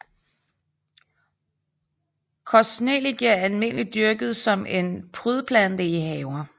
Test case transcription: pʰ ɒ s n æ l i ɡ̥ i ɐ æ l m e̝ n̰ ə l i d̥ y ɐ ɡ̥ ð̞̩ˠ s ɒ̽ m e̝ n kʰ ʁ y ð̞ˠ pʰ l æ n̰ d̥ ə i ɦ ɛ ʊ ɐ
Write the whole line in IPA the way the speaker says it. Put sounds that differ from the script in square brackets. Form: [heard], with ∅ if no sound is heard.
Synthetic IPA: [kʰ] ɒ s n [e] l i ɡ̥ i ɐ æ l m e̝ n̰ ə l i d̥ y ɐ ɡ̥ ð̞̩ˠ s ɒ̽ m e̝ n [pʰ] ʁ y ð̞ˠ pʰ l æ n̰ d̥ ə i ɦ ɛ ʊ ɐ